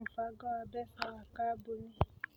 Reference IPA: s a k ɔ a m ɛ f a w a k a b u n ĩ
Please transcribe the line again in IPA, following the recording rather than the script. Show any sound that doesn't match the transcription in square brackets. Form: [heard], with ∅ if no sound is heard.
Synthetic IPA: [f] a [ɡ] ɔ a [b] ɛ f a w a k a b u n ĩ